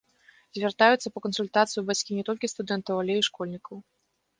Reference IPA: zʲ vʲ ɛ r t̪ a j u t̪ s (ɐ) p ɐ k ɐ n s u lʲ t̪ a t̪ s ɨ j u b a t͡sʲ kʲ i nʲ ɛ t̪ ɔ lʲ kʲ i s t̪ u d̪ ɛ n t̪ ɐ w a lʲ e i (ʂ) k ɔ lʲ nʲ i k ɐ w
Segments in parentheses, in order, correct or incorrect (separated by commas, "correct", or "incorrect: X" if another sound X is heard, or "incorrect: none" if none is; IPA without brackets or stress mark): correct, correct